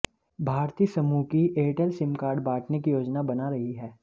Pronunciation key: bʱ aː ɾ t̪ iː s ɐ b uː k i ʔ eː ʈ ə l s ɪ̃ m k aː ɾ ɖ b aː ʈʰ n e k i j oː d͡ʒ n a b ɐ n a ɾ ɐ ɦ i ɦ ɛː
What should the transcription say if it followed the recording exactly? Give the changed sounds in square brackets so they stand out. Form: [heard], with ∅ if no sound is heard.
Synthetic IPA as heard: bʱ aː ɾ t̪ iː s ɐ [m] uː k i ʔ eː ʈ ə l s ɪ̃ m k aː ɾ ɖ b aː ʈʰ n e k i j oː d͡ʒ n a b ɐ n a ɾ ɐ ɦ i ɦ ɛː